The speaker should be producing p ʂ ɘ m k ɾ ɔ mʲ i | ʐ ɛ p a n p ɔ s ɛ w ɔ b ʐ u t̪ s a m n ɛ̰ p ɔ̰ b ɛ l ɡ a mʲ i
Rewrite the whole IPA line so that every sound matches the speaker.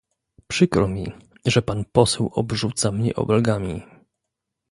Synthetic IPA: p ʂ ɘ k ɾ ɔ mʲ i | ʐ ɛ p a n p ɔ s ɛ w ɔ b ʐ u t̪ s a m ɲ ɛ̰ ʔ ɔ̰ b ɛ l ɡ a mʲ i

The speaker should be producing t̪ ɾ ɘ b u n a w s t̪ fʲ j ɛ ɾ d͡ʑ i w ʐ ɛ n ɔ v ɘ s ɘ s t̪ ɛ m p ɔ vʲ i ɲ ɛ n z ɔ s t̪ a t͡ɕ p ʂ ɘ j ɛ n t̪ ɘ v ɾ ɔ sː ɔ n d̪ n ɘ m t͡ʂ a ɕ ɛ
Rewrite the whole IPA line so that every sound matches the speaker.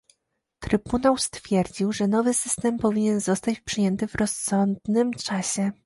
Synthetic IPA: t̪ ɾ ɘ b u n a w s t̪ fʲ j ɛ ɾ d͡ʑ i w ʐ ɛ n ɔ v ɘ s ɘ s t̪ ɛ m p ɔ vʲ i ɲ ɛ n z ɔ s t̪ a t͡ɕ p ʂ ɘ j ɛ n t̪ ɘ v ɾ ɔ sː ɔ n d̪ n ɘ m t͡ʂ a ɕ ɛ

